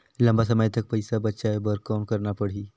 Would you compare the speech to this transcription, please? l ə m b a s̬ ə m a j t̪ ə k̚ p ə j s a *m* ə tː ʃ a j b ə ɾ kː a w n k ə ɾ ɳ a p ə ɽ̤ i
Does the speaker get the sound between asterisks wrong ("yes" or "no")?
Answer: yes